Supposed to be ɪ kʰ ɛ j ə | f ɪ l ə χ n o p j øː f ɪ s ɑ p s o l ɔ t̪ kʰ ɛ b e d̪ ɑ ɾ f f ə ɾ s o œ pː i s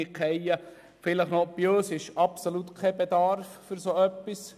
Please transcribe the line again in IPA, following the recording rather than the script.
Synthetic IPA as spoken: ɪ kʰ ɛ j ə | f ɪ l ə χ n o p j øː s ɪ ʃ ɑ p s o l u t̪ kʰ ɛ b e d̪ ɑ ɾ f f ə ɾ s o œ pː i s